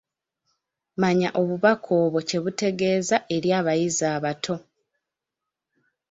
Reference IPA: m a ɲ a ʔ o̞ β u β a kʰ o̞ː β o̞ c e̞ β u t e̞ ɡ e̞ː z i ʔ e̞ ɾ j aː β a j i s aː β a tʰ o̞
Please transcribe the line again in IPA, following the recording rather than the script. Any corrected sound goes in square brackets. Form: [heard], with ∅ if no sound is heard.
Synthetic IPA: m a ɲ a ʔ o̞ β u β a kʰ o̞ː β o̞ c e̞ β u t e̞ ɡ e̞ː z [a] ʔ e̞ ɾ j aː β a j i [z] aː β a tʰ o̞